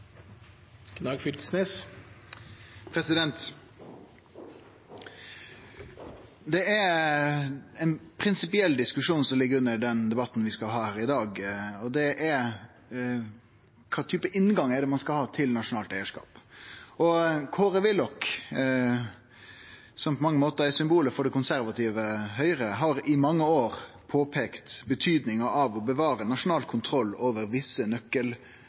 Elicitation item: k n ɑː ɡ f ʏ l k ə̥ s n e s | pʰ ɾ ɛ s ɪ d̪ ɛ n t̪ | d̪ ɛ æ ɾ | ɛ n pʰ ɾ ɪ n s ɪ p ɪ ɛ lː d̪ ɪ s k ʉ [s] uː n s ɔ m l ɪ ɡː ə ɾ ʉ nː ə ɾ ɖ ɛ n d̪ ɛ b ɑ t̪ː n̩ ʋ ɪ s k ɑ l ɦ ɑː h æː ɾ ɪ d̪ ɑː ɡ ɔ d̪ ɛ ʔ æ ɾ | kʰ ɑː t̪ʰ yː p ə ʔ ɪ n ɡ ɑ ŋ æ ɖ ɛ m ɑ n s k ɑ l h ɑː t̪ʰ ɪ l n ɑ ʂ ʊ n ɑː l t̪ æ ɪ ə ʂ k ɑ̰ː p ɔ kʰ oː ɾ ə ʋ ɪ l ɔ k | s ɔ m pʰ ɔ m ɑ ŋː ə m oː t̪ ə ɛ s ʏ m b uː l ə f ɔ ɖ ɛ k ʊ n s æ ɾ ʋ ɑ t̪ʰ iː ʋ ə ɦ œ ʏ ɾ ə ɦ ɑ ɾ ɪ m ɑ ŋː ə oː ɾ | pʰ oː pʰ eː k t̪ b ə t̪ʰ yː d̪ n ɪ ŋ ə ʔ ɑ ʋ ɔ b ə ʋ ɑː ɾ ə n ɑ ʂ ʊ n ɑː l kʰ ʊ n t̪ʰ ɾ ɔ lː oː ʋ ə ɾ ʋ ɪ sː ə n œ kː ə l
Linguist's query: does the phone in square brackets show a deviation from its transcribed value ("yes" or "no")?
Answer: yes